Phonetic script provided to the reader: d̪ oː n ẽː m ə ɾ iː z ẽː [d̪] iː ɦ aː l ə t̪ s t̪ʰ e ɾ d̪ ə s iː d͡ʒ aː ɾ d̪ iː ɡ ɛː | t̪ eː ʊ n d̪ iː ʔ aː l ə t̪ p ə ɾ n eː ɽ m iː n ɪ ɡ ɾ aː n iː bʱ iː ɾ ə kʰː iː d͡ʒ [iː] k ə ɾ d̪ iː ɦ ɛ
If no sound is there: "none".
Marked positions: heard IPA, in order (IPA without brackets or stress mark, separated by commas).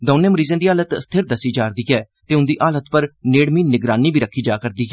d̪, aː